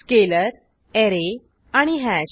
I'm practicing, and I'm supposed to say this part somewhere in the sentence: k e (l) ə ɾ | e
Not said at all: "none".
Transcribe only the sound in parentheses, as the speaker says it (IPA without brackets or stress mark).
l